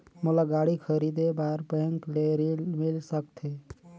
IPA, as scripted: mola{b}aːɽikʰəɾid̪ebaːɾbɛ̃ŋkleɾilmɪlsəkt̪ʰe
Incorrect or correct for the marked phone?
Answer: incorrect: ɡ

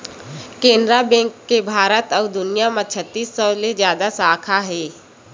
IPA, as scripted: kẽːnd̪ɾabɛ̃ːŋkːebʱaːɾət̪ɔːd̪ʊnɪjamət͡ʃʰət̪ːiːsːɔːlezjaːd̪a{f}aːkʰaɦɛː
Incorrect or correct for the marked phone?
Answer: incorrect: s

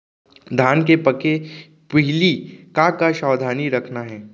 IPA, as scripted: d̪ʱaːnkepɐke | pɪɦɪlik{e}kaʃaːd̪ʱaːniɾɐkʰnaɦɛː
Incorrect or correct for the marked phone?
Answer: incorrect: a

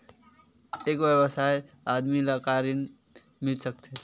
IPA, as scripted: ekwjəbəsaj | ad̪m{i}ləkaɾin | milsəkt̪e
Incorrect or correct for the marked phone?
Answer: correct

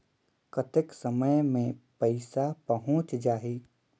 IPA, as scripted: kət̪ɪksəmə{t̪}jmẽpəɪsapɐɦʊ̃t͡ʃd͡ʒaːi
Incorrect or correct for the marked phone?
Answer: incorrect: none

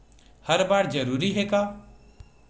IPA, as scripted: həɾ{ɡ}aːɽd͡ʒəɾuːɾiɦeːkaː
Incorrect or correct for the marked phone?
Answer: incorrect: b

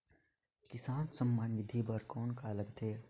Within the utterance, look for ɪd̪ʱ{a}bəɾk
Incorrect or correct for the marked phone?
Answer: incorrect: i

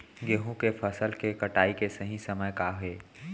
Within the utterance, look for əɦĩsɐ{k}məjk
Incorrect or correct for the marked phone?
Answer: incorrect: none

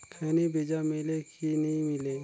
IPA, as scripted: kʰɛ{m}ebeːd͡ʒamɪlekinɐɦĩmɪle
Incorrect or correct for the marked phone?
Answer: incorrect: n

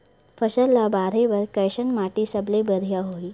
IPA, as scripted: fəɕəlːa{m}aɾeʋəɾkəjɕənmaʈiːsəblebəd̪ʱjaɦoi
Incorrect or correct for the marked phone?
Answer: incorrect: b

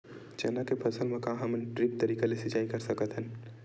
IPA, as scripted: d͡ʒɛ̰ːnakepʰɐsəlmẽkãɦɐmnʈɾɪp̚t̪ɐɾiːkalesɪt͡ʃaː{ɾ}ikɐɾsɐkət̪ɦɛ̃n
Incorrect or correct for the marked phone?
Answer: incorrect: none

